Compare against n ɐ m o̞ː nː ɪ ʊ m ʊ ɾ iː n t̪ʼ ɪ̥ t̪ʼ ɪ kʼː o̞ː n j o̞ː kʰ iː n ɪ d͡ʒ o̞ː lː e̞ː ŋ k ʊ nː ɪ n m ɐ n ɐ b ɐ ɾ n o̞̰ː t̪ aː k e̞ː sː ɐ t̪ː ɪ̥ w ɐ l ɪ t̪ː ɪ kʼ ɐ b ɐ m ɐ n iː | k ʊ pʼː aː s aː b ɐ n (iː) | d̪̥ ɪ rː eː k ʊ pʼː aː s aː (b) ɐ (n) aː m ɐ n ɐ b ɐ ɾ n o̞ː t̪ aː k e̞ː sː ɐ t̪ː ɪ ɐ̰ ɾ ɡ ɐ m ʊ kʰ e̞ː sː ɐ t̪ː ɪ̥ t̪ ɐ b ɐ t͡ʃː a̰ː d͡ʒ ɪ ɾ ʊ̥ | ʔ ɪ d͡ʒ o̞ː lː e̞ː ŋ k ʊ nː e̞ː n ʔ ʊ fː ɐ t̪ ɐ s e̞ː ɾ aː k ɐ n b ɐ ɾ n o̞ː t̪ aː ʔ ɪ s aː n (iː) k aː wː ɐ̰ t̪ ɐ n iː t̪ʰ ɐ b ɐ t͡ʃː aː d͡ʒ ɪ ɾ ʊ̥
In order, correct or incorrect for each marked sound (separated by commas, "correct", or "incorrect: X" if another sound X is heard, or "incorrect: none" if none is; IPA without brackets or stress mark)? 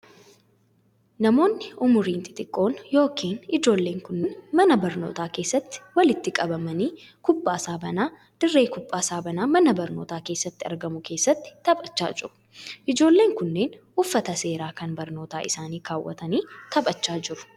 incorrect: aː, correct, correct, correct